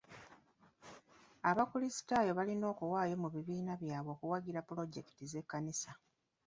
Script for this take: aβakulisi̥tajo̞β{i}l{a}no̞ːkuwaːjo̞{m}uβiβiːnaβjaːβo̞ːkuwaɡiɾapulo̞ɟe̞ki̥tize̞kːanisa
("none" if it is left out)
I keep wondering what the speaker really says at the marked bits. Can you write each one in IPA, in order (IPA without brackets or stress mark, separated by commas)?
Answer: a, i, m